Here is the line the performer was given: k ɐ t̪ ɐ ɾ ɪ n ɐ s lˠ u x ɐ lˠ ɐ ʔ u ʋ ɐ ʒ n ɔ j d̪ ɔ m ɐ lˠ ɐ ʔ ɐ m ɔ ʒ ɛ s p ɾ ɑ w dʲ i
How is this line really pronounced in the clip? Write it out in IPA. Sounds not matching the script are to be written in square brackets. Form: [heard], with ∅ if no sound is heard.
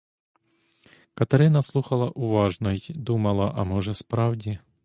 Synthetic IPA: k ɐ t̪ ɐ ɾ ɪ n ɐ s lˠ u x ɐ lˠ ɐ ʔ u ʋ [ɑ] ʒ n ɔ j d̪ [u] m ɐ lˠ ɐ ʔ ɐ m ɔ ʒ ɛ s p ɾ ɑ w dʲ i